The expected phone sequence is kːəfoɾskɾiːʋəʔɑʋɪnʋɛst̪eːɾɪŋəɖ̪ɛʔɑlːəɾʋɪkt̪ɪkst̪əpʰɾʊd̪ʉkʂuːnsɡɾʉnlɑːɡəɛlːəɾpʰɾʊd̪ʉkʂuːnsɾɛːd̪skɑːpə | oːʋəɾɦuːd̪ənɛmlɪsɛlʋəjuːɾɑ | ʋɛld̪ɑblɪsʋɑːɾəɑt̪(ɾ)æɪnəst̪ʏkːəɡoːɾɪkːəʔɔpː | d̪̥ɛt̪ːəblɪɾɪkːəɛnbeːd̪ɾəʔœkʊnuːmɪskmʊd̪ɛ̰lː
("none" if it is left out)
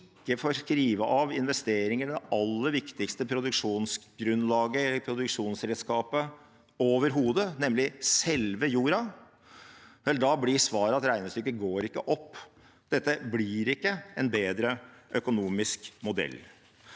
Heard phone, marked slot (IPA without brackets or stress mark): ɾ